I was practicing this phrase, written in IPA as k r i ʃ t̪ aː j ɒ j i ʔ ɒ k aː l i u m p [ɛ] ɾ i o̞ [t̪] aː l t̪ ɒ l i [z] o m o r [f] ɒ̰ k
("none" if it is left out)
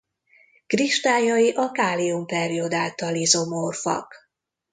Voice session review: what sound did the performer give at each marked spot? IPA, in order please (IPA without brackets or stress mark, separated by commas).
ɛ, d̪, z, f